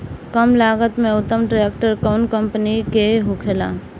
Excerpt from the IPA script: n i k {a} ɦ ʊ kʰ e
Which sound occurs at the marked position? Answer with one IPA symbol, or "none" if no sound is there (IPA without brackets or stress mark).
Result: e